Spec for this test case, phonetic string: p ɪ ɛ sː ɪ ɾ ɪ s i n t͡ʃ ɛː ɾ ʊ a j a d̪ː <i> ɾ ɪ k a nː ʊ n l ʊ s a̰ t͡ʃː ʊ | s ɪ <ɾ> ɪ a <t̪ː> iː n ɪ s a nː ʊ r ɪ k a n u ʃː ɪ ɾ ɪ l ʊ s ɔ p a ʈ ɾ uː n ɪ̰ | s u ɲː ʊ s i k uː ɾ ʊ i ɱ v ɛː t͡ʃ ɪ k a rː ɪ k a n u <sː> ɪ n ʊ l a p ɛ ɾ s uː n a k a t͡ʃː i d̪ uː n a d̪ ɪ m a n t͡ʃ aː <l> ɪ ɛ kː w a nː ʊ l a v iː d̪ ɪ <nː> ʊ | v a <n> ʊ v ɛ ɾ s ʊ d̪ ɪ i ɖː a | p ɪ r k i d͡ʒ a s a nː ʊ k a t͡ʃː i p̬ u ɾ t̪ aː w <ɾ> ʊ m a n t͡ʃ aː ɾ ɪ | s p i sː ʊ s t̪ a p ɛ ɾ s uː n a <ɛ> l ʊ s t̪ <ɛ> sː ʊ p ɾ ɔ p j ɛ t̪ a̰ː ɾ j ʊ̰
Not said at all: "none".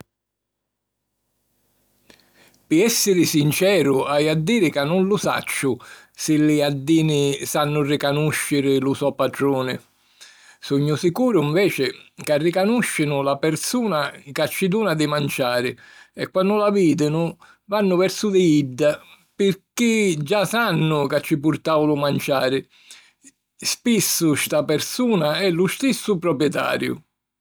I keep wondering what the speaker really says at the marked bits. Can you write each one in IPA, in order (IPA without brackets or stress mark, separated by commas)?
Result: iː, l, d̪ː, ʃː, ɾ, n, nː, l, ɛ, i